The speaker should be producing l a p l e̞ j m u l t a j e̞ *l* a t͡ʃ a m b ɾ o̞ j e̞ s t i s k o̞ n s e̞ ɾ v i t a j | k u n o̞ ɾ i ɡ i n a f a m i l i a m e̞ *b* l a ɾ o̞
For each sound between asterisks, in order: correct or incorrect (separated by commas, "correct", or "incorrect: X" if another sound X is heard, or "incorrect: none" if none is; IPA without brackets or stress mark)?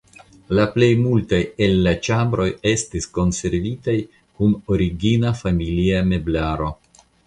incorrect: lː, correct